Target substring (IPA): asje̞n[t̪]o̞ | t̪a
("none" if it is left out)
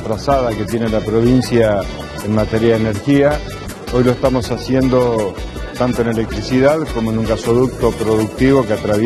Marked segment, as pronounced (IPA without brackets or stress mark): d̪